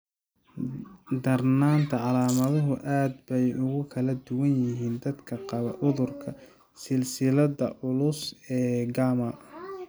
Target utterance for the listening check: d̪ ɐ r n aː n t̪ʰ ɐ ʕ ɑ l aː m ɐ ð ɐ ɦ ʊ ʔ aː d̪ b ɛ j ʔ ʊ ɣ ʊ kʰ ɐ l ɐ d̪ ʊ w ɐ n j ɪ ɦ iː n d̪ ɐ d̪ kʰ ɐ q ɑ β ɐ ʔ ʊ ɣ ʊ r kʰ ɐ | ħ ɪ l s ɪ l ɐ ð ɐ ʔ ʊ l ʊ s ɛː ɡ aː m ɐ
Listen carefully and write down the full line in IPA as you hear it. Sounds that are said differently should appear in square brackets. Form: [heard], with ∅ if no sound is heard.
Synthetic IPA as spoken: d̪ ɐ r n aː n t̪ʰ ɐ ʕ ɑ l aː m ɐ ð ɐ ɦ ʊ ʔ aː d̪ b ɛ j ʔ ʊ ɣ ʊ kʰ ɐ l ɐ d̪ ʊ w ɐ n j ɪ ɦ iː n d̪ ɐ d̪ kʰ ɐ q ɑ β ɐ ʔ ʊ [ð] ʊ r kʰ ɐ | [s] ɪ l s ɪ l ɐ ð ɐ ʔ ʊ l ʊ s ɛː ɡ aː m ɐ